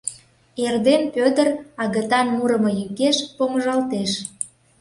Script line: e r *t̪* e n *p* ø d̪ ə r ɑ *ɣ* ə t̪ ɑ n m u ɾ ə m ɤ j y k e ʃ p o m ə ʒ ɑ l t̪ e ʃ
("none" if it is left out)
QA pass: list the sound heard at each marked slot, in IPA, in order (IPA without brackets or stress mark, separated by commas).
d̪, p, ɣ